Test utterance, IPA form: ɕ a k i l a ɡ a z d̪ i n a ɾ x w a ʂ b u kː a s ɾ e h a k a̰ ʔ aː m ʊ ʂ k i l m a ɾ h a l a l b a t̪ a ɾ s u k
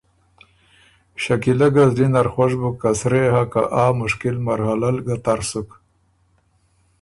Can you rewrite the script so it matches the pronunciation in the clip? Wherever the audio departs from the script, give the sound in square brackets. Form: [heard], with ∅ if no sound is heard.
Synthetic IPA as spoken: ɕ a k i l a ɡ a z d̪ i n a ɾ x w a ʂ b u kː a s ɾ e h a k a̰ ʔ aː m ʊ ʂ k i l m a ɾ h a l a l [ɡ] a t̪ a ɾ s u k